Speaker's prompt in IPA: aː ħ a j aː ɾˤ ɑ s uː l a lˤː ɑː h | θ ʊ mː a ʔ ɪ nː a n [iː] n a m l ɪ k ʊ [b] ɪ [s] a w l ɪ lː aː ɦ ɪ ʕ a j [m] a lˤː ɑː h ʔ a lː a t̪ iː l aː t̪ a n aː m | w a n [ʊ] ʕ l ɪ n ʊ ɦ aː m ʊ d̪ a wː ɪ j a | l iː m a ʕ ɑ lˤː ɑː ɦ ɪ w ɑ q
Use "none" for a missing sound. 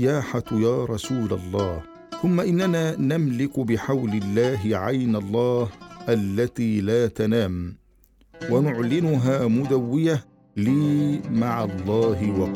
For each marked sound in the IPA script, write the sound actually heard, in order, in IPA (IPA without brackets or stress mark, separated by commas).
aː, b, ħ, n, ʊ